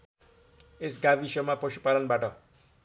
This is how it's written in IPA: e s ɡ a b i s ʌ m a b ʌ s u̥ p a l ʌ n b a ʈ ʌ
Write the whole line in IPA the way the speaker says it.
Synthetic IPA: e s ɡ a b i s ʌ m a p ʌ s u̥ p a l ʌ n b a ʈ ʌ